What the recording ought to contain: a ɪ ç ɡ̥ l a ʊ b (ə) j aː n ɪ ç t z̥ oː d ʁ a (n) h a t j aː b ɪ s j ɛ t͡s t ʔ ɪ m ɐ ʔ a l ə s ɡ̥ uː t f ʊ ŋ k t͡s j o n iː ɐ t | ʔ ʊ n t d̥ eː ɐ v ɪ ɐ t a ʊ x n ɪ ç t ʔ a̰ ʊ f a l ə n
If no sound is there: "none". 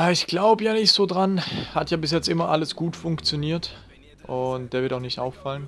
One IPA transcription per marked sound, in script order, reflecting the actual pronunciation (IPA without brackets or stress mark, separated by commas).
ə, n